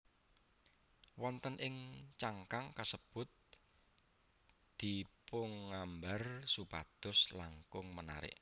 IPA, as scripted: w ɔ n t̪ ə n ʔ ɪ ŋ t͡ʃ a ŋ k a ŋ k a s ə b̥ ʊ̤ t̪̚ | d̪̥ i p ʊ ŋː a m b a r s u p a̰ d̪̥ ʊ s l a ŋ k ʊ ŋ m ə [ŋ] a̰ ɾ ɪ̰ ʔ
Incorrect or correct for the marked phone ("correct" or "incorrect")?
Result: incorrect